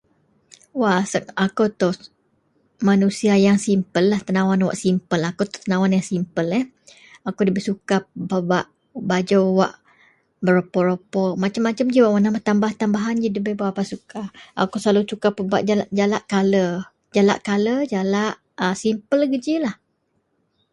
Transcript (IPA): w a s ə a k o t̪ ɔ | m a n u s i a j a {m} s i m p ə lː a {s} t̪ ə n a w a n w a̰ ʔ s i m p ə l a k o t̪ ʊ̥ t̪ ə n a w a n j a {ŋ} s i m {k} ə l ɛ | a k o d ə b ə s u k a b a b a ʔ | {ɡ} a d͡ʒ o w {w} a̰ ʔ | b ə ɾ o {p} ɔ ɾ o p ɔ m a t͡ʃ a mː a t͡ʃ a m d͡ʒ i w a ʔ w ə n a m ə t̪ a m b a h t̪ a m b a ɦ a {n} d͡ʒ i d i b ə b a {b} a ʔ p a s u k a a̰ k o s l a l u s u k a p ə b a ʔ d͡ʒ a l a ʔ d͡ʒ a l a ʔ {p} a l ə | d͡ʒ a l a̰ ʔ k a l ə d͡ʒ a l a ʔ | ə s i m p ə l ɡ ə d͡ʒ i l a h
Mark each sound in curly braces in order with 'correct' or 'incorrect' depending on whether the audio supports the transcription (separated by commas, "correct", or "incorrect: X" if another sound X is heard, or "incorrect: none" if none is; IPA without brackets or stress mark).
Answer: incorrect: ŋ, incorrect: h, correct, incorrect: p, incorrect: b, correct, correct, correct, incorrect: w, incorrect: k